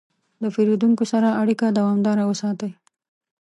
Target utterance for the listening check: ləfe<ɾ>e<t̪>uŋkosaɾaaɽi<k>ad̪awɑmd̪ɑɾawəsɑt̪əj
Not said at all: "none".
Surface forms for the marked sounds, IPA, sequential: ɾ, d̪, k

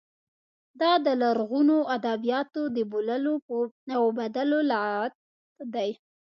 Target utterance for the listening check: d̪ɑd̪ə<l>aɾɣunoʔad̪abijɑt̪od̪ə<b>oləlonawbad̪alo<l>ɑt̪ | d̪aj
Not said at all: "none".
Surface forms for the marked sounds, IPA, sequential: l, b, l

